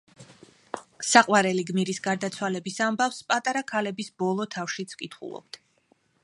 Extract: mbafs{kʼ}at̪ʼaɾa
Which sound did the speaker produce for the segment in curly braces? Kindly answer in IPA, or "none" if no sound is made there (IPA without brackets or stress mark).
pʼ